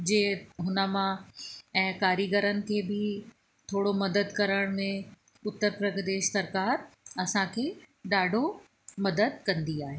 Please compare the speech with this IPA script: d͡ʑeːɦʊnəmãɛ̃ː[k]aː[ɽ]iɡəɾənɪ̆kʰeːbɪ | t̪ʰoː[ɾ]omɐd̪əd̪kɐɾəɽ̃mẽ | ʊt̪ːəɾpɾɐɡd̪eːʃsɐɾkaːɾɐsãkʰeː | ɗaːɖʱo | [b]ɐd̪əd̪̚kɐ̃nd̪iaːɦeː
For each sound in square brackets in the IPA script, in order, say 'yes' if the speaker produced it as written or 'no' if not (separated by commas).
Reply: yes, no, no, no